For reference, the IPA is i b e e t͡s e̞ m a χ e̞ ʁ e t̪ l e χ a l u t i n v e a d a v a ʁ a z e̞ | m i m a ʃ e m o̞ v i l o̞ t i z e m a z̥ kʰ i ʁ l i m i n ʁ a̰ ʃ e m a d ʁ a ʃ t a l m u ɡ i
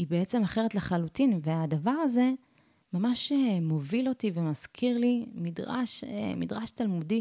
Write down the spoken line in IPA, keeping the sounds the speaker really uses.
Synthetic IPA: i b e e t͡s e̞ m a χ e̞ ʁ e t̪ l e χ a l u t i n v e a d a v a ʁ a z e̞ | m a m a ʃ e m o̞ v i l o̞ t i v e m a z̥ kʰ i ʁ l i m i d ʁ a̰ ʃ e m i d ʁ a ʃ t a l m u d i